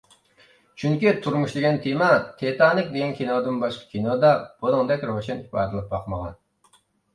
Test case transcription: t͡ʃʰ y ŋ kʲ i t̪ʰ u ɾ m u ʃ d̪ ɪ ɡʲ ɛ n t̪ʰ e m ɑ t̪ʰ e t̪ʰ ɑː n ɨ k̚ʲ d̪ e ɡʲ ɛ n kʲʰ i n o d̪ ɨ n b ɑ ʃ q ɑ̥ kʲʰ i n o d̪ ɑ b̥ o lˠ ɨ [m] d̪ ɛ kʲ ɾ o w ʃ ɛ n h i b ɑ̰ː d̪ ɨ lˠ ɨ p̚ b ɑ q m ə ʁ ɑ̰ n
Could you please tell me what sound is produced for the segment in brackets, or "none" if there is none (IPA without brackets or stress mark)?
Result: ŋ